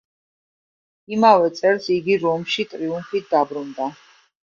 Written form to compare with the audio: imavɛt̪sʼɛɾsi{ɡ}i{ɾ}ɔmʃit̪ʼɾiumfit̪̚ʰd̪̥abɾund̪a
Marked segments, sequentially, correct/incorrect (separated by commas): correct, correct